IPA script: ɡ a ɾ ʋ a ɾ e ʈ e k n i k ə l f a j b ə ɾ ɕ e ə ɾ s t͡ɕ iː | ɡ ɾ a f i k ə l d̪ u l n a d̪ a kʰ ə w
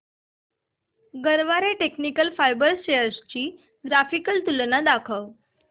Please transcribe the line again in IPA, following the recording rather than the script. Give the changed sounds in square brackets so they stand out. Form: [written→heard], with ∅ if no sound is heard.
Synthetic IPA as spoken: ɡ [a→ə] ɾ ʋ a ɾ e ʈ e k n i k ə l f a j b ə ɾ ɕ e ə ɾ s t͡ɕ iː | ɡ ɾ a f i k ə l [d̪→t̪] u l n a d̪ a kʰ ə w